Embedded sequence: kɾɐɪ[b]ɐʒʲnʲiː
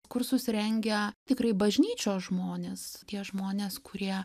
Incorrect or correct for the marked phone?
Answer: correct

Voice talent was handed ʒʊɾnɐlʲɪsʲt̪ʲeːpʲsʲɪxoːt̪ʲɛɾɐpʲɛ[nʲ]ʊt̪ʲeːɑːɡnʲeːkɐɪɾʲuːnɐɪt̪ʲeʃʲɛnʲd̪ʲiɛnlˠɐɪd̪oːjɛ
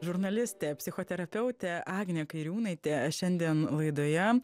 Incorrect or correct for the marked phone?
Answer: incorrect: none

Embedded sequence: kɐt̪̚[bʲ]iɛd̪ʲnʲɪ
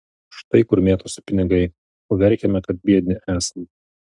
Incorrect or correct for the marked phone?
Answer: correct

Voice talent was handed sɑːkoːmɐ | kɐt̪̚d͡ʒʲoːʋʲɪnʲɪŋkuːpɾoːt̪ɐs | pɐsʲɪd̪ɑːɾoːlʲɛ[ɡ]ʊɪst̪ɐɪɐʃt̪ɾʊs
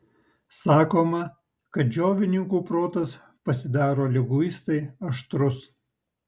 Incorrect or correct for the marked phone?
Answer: correct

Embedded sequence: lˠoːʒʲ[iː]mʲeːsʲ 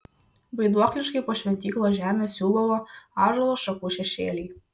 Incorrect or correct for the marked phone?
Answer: incorrect: æː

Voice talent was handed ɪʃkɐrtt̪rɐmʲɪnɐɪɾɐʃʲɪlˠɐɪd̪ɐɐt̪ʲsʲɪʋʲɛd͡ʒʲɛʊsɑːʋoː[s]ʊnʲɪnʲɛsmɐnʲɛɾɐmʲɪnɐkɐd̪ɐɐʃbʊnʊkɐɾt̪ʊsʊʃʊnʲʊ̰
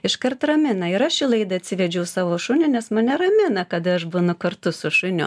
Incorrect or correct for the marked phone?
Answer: incorrect: ʃ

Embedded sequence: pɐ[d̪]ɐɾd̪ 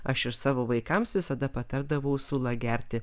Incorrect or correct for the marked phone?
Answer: incorrect: t̪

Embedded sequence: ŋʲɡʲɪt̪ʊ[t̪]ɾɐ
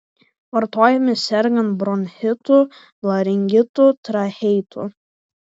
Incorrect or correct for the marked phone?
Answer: correct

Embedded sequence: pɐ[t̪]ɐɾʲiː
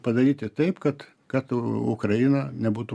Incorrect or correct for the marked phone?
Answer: incorrect: d̪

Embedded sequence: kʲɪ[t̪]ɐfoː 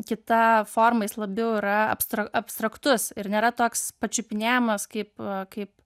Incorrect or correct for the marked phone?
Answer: correct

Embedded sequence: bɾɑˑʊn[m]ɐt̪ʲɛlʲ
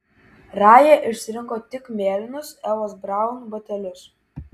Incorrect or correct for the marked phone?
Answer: incorrect: b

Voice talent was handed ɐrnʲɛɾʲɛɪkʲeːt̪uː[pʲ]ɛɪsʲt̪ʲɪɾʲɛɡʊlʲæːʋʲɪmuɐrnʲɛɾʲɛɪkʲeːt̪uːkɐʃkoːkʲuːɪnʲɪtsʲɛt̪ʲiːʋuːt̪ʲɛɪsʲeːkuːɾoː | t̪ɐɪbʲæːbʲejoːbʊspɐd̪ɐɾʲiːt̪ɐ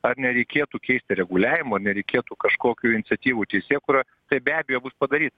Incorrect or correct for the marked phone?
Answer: incorrect: kʲ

